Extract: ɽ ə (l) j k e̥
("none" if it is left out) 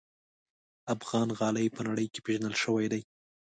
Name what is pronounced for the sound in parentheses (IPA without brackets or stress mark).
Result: none